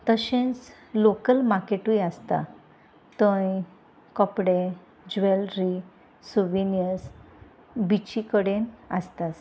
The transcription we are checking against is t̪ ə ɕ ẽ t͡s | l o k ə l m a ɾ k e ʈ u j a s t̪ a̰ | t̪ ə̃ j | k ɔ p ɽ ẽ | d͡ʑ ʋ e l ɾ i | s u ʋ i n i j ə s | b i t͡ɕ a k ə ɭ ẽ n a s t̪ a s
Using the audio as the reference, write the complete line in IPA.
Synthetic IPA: t̪ ə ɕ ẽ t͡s | l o k ə l m a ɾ k e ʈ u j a s t̪ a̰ | t̪ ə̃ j | k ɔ p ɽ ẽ | d͡ʑ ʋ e l ɾ i | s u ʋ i n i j ə s | b i t͡ɕ i k ə ɽ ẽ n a s t̪ a s